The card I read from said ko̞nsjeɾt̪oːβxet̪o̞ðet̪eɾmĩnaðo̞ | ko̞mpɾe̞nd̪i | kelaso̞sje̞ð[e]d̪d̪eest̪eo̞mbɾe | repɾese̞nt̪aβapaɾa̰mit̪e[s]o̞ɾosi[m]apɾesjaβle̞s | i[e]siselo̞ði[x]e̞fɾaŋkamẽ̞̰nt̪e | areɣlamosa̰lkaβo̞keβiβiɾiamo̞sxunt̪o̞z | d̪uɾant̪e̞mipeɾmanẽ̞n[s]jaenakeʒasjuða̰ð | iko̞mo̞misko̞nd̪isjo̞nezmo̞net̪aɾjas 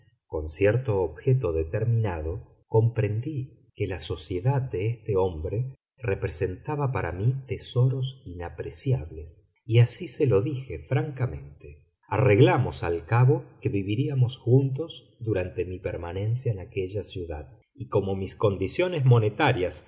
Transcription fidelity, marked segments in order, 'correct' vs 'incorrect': incorrect: a, correct, incorrect: n, incorrect: a, correct, correct

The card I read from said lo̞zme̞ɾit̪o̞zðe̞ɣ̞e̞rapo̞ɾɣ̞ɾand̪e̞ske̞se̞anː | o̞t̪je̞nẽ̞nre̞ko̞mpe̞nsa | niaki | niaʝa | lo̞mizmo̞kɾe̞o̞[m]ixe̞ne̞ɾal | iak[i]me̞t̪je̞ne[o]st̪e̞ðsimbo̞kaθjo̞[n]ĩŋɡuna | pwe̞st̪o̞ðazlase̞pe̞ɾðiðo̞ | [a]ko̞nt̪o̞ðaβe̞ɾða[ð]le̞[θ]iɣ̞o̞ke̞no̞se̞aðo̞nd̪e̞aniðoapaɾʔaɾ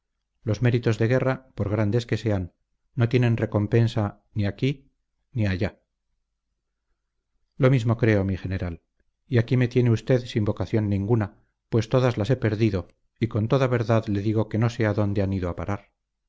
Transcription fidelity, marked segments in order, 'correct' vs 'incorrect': correct, correct, incorrect: u, incorrect: nː, incorrect: i, correct, incorrect: ð

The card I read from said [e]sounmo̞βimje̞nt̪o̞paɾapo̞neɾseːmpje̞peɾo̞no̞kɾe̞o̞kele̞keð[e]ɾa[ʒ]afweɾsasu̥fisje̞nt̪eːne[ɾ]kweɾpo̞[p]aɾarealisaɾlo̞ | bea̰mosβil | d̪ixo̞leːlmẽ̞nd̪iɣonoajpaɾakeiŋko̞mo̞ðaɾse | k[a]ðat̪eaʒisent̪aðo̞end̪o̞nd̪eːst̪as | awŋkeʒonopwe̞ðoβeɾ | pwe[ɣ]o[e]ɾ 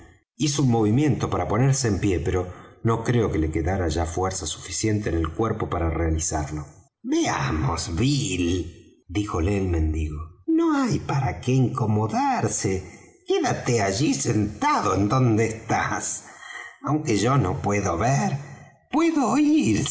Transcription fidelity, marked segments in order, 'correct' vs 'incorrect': incorrect: i, incorrect: a, correct, incorrect: l, correct, incorrect: e, incorrect: ð, incorrect: i

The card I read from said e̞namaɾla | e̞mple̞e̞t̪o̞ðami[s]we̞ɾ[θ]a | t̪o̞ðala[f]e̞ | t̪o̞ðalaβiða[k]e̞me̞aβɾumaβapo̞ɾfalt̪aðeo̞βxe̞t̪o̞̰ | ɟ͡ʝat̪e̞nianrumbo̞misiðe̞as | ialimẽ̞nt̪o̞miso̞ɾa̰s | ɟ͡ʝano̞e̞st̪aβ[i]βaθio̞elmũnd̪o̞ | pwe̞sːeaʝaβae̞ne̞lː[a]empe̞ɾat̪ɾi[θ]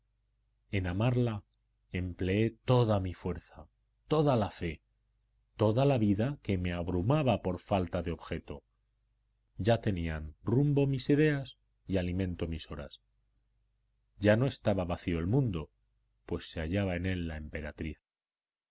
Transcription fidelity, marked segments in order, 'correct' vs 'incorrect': incorrect: f, correct, correct, correct, incorrect: a, correct, correct

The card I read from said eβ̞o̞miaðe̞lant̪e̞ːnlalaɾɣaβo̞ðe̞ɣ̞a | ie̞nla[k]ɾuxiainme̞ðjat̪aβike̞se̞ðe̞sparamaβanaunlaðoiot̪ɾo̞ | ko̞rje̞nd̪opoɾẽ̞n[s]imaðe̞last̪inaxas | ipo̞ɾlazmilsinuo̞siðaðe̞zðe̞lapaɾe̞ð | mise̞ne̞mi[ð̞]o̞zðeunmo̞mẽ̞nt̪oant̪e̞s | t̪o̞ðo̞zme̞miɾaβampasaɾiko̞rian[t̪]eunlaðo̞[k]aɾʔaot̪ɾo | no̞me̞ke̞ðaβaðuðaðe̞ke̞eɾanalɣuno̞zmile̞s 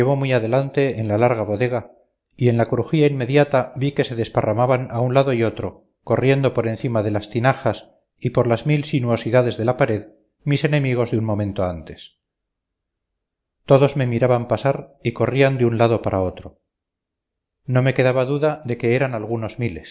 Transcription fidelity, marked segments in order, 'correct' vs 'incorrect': correct, incorrect: θ, incorrect: ɣ̞, incorrect: d̪, incorrect: p

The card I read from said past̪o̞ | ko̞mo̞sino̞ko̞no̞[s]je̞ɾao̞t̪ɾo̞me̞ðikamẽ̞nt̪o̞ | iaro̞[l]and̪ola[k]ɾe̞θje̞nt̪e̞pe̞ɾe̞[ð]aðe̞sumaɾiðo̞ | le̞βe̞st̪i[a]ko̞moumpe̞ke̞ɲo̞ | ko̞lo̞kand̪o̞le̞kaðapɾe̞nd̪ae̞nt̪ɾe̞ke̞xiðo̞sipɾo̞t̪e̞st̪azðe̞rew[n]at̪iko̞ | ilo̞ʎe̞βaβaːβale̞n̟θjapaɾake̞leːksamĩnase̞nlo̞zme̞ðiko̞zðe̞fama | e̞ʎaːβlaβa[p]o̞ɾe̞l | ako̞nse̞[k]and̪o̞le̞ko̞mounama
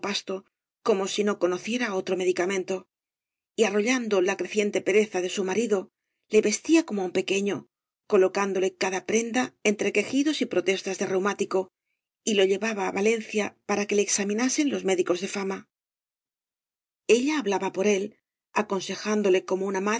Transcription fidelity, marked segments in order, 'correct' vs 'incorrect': incorrect: θ, incorrect: ʎ, correct, incorrect: θ, correct, incorrect: m, correct, incorrect: x

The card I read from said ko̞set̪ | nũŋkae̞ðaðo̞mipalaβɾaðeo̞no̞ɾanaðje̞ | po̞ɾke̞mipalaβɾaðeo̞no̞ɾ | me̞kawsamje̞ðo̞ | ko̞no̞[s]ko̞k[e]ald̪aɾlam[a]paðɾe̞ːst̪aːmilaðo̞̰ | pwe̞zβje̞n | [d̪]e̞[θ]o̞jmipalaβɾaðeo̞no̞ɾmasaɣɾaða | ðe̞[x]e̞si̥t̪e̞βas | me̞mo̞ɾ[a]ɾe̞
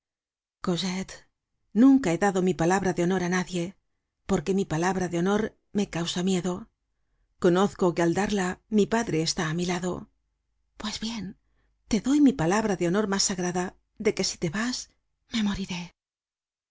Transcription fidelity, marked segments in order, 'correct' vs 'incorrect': incorrect: θ, correct, incorrect: i, incorrect: t̪, incorrect: ð, incorrect: k, incorrect: i

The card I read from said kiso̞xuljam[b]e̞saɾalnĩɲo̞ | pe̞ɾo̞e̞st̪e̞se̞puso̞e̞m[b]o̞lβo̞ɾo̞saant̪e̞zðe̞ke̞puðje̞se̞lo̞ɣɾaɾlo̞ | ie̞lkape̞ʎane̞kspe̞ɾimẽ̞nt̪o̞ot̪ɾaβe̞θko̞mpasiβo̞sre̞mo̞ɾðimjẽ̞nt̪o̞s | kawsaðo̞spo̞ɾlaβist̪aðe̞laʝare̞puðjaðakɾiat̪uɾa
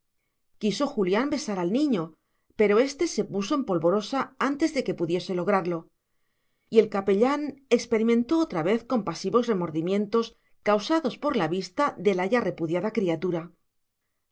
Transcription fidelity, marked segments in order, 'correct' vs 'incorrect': correct, incorrect: p

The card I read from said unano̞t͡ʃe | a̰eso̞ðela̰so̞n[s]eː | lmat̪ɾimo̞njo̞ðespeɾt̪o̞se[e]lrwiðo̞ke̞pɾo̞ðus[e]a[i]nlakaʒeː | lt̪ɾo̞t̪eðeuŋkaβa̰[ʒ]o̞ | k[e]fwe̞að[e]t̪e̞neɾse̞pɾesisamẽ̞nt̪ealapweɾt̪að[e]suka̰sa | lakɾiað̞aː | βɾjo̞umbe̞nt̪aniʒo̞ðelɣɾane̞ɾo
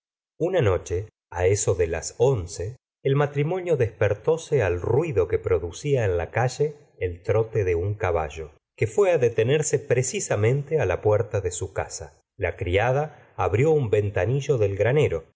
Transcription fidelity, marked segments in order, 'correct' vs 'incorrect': correct, incorrect: a, incorrect: i, incorrect: e, correct, correct, correct, correct

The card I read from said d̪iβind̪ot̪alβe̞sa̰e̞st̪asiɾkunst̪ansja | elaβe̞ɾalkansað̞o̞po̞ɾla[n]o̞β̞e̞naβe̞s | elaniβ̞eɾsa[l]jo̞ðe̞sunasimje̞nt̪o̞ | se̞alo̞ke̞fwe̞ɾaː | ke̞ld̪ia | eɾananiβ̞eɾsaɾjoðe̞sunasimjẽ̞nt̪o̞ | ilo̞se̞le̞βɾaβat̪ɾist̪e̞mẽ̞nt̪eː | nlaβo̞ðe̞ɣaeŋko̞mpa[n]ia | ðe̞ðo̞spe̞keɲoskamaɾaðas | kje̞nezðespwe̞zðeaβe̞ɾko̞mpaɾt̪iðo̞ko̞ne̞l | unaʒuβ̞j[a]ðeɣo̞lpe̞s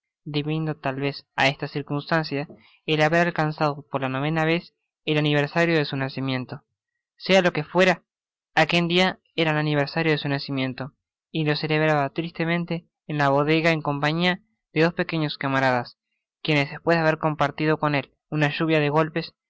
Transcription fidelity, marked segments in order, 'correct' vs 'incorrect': correct, incorrect: ɾ, incorrect: ɲ, correct

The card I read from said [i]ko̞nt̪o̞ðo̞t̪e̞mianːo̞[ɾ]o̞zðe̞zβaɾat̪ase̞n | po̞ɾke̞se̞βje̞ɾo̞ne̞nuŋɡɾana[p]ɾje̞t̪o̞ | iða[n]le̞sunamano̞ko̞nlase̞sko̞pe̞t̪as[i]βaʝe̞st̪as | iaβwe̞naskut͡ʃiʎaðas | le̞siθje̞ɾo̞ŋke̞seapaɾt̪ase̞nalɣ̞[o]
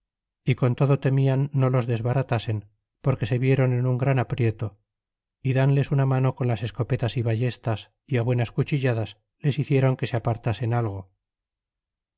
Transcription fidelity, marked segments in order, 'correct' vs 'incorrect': correct, incorrect: l, correct, correct, correct, correct

